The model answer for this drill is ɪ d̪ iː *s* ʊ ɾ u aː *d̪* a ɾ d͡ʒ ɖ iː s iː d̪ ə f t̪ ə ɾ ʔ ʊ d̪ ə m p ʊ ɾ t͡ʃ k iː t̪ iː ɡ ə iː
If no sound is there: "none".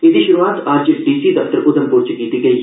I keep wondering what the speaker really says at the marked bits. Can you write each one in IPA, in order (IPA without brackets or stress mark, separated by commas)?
ʃ, t̪